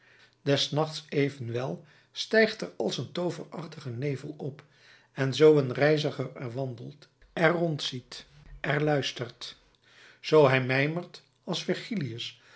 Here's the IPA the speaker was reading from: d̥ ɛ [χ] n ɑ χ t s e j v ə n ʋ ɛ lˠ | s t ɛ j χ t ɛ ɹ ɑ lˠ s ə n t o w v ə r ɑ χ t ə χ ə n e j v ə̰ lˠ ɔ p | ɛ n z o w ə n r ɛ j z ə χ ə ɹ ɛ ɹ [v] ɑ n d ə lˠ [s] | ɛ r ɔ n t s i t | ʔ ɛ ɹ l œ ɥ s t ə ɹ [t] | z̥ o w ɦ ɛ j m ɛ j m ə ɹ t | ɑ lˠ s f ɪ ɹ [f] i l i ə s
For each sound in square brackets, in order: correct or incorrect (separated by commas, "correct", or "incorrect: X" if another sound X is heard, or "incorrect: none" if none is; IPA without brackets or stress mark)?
incorrect: s, incorrect: ʋ, incorrect: t, correct, incorrect: χ